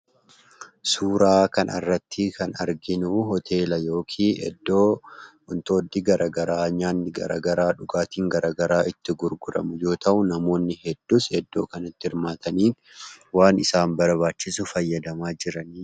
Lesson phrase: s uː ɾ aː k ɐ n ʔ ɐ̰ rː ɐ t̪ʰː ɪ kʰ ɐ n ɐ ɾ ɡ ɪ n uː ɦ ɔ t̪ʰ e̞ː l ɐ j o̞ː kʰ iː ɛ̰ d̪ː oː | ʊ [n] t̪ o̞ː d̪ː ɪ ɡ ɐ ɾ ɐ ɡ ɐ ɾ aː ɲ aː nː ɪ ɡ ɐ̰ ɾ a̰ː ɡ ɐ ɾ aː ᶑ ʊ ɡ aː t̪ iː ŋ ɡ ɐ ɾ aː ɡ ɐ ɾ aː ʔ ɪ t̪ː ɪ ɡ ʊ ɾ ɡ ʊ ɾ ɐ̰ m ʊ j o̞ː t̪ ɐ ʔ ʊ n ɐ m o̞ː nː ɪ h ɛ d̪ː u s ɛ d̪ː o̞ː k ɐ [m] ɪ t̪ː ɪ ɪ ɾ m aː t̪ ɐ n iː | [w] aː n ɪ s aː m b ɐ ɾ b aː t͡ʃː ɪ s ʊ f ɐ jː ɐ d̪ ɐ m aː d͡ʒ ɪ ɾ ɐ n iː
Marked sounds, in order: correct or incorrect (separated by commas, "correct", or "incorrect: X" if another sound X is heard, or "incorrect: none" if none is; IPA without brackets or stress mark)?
correct, incorrect: n, correct